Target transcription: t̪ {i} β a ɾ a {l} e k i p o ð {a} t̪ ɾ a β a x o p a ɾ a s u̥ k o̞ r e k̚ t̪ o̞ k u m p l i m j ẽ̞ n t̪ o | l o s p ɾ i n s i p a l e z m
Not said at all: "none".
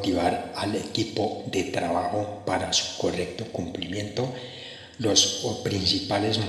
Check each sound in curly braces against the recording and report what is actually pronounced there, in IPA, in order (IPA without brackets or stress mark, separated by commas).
i, l, e